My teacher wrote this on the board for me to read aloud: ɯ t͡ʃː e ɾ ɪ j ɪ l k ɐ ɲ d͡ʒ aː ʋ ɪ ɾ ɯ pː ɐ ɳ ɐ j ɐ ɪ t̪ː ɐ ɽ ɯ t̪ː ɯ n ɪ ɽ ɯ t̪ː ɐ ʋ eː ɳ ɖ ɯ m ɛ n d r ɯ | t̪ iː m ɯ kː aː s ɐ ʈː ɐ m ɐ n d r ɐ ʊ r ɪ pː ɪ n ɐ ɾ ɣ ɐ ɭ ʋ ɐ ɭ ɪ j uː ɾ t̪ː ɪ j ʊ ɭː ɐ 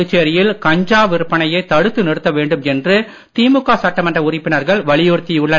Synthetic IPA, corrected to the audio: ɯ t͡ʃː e ɾ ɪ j ɪ l k ɐ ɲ d͡ʒ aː ʋ ɪ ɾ ɯ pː ɐ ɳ ɐ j ɐ ɪ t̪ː ɐ ɽ ɯ t̪ː ɯ n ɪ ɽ ɯ t̪ː ɐ ʋ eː ɳ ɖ ɯ m ɛ n d r ɯ | t̪ iː m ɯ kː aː s ɐ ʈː ɐ m ɐ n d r ɐ ʊ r ɪ pː ɪ n ɐ ɾ ɣ ɐ ɭ ʋ ɐ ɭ ɪ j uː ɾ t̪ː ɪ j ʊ ɭː ɐ